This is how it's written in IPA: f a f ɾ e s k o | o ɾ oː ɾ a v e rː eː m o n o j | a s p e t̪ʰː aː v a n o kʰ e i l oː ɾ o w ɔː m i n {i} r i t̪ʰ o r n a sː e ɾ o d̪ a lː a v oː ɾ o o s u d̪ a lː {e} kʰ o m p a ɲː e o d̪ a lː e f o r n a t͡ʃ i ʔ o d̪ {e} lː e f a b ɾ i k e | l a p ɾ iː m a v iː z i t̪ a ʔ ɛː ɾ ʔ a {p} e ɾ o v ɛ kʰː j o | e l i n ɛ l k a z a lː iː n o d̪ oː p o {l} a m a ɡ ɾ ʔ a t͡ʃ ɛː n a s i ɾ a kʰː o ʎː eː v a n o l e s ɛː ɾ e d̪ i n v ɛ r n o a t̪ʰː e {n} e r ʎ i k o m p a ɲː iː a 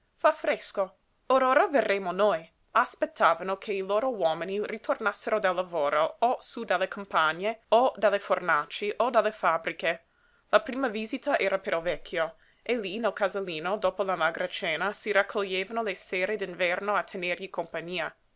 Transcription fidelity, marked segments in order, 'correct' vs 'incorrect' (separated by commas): correct, correct, incorrect, correct, correct, correct